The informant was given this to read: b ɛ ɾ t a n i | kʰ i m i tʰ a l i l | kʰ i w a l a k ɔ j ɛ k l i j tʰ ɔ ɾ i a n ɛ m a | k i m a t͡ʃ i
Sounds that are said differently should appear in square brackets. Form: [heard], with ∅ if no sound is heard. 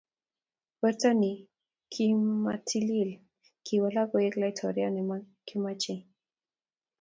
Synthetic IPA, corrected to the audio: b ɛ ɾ t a n i | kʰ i m [a] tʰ [i] l i l | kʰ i w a l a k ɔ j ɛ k l [a] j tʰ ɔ ɾ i a n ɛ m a | k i m a t͡ʃ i